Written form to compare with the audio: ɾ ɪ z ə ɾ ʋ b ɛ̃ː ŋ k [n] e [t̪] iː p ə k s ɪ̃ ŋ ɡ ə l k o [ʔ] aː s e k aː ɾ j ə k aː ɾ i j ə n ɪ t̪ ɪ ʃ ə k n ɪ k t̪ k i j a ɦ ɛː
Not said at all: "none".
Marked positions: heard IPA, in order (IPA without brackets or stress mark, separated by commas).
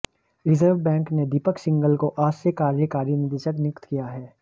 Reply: n, d̪, ʔ